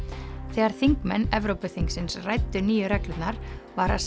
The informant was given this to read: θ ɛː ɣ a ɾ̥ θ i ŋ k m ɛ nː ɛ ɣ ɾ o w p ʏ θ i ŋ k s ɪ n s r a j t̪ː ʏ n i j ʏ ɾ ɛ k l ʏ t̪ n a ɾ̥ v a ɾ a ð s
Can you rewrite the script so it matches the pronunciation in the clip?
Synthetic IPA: θ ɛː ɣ a ɾ̥ θ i ŋ k m ɛ nː ɛ v ɾ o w p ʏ θ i ŋ k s ɪ n s r a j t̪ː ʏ n iː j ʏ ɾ ɛ k l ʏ t̪ n a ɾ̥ v a ɾ a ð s